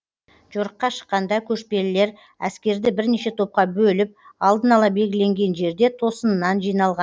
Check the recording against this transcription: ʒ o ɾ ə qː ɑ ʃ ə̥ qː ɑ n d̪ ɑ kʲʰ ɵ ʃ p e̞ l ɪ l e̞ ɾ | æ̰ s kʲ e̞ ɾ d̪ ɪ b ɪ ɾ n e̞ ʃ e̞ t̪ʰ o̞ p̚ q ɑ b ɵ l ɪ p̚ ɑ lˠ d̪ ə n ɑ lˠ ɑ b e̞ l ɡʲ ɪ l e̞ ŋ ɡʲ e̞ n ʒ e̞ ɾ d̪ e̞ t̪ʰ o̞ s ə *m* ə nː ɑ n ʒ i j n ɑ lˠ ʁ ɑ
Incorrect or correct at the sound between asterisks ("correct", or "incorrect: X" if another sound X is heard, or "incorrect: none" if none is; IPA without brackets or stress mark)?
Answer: incorrect: n